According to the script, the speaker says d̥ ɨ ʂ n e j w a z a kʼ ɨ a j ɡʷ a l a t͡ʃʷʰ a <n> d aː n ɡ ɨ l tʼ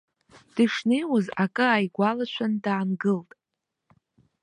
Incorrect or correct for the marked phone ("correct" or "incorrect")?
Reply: correct